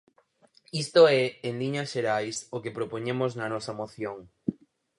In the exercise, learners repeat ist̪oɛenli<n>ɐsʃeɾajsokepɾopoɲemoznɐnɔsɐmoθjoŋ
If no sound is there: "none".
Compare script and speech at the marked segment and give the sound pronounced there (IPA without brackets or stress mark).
ɲ